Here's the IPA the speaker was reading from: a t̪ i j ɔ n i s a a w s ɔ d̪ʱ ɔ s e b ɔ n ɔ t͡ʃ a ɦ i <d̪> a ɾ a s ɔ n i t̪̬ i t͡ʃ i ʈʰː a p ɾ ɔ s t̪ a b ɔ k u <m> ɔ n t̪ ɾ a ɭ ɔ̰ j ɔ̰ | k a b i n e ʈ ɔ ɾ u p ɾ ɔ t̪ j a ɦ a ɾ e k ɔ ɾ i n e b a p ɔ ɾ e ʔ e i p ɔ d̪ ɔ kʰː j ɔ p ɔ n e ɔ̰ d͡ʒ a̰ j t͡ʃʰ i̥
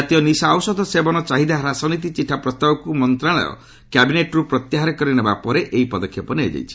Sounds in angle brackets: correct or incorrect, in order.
correct, correct

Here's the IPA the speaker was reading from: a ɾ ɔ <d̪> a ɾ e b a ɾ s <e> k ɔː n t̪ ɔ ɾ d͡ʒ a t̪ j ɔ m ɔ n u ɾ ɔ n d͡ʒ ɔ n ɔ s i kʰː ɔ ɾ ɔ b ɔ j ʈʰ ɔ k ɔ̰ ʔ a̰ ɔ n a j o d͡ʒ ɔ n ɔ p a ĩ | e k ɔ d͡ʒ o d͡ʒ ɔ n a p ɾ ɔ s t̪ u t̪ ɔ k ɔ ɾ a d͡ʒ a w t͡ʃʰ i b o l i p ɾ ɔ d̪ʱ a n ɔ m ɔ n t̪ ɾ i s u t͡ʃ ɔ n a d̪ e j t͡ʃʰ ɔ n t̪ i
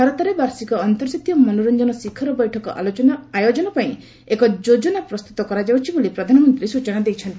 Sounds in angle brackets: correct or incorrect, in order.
incorrect, incorrect

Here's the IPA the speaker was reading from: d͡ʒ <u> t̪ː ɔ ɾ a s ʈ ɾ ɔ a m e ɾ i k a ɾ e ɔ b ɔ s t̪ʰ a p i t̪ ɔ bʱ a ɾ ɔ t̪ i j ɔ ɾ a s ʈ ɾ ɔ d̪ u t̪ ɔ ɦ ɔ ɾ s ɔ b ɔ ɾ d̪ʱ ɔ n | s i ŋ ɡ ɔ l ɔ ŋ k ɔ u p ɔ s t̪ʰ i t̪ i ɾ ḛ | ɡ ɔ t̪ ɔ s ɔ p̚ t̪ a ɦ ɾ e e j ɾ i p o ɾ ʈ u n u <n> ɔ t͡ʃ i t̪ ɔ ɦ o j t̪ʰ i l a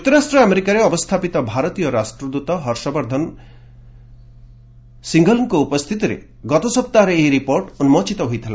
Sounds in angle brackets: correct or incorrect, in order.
correct, incorrect

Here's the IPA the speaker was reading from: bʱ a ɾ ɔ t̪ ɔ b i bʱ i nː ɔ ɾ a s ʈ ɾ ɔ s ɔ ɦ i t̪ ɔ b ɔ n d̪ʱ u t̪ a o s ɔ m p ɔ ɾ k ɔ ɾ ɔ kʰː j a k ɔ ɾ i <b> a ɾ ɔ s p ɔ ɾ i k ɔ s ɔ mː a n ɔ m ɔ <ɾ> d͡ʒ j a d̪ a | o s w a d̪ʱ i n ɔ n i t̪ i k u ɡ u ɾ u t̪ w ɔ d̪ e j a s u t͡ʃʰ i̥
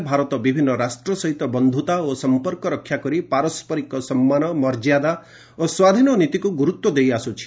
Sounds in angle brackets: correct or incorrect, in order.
incorrect, correct

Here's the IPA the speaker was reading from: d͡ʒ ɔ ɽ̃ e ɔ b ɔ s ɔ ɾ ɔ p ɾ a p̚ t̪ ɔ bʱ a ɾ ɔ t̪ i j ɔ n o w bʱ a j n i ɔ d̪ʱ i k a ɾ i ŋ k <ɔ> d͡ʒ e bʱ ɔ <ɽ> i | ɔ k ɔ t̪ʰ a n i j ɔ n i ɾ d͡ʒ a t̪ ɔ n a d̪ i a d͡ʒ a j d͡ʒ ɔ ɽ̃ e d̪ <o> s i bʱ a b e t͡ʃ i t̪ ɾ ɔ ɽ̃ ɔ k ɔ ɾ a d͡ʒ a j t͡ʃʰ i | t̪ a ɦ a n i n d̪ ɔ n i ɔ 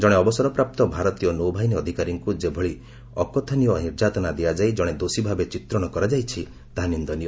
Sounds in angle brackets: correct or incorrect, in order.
incorrect, incorrect, correct

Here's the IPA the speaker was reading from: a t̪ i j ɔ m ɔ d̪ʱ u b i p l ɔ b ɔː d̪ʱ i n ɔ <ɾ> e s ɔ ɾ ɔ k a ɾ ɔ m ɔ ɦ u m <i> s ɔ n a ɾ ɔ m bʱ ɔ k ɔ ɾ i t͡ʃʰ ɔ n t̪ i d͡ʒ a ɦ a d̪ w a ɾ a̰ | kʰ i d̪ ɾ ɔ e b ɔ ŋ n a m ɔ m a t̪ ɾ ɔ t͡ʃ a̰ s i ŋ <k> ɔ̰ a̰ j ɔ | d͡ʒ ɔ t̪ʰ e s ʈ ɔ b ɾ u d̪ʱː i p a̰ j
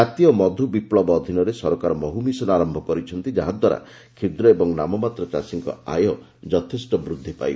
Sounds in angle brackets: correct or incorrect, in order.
correct, correct, correct

